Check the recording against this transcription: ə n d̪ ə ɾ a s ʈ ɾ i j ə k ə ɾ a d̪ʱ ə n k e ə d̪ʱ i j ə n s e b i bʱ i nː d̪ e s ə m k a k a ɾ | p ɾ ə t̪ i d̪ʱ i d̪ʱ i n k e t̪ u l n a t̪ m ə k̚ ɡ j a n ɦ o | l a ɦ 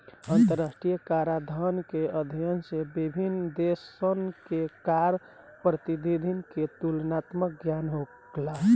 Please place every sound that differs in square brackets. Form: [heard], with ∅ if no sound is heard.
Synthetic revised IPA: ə n [t̪] ə ɾ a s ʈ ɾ i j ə k [a] ɾ a d̪ʱ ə n k e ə d̪ʱ i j ə n s e b i bʱ i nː d̪ e s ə [n] k [e] k a ɾ | p ɾ ə t̪ i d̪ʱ i d̪ʱ i n k e t̪ u l n a t̪ m ə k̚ ɡ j a n ɦ o | l a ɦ